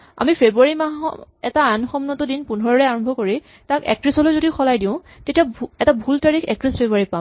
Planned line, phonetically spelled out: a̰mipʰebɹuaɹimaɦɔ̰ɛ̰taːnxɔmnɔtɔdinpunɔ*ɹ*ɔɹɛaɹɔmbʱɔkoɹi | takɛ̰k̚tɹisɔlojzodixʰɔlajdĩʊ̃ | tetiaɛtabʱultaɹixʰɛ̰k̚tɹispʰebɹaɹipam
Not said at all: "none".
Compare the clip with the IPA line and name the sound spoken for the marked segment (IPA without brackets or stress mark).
ɹ